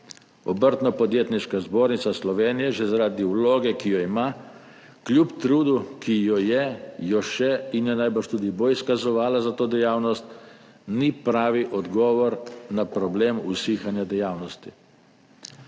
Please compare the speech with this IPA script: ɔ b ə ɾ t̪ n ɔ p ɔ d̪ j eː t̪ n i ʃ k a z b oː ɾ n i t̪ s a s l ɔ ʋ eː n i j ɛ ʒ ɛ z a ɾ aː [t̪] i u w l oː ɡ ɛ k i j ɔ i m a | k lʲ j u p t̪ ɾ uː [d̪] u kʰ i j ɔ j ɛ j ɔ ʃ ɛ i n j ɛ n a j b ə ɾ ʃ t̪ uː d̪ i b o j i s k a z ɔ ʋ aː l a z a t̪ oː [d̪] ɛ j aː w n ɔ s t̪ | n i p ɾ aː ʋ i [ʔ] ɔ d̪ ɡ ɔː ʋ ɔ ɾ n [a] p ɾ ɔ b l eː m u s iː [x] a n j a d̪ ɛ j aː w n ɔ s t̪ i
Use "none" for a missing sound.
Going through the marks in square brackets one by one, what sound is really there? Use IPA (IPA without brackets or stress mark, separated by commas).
d̪, d̪, d̪, ʔ, a, x